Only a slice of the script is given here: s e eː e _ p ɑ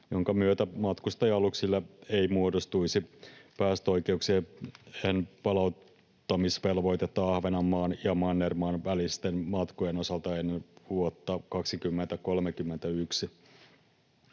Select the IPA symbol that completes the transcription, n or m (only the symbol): n